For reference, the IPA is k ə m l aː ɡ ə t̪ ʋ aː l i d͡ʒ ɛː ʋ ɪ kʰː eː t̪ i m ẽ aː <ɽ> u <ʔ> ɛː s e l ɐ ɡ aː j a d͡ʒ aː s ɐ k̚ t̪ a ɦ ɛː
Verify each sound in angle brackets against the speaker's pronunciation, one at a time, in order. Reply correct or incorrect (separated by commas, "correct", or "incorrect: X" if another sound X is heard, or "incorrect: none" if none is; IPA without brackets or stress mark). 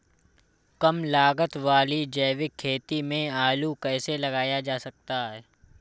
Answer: incorrect: l, incorrect: k